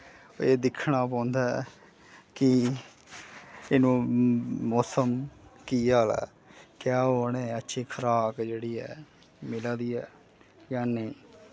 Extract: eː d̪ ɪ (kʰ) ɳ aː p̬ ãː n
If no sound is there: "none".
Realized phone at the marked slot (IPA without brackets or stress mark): kʰ